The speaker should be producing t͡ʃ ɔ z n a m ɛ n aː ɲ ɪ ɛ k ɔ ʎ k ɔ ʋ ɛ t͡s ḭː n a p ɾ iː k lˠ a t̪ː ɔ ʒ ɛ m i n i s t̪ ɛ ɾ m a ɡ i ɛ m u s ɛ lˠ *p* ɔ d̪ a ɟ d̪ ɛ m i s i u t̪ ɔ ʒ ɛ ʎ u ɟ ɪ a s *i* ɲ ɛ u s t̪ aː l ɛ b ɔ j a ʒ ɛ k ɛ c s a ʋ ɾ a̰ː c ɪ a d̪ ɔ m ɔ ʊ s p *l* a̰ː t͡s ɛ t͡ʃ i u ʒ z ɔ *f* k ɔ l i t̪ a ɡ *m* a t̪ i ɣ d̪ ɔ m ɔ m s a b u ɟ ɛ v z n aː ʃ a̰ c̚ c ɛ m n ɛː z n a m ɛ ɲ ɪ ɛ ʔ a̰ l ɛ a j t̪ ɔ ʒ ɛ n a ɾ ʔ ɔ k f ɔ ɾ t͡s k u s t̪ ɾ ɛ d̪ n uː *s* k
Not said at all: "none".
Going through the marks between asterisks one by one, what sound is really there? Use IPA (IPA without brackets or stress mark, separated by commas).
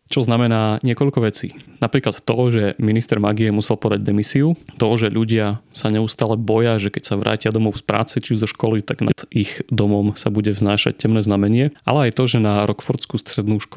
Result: p, a, ɾ, ʃ, n, ʃ